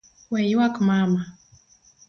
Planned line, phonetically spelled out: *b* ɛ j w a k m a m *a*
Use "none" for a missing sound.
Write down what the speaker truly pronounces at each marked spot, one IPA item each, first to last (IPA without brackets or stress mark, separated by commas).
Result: w, a